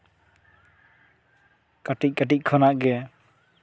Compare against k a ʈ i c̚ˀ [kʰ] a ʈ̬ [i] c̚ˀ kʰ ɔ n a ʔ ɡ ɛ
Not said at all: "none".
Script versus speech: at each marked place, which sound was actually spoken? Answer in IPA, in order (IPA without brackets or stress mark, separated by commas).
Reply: k, i